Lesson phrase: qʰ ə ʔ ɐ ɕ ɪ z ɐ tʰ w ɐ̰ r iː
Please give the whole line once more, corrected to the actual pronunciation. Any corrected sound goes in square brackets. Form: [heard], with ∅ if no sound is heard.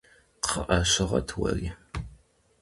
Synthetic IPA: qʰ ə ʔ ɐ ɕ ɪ [ʁ] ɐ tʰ w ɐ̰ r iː